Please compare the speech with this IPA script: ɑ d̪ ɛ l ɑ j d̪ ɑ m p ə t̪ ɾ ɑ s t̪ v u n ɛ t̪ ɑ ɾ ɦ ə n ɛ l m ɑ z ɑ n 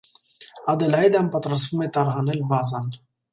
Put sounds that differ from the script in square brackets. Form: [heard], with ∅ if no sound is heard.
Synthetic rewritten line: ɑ d̪ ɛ l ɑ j d̪ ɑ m p [ɑ] t̪ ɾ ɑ s t̪ v u [m] ɛ t̪ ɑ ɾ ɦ [ɑ] n ɛ l [b] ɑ z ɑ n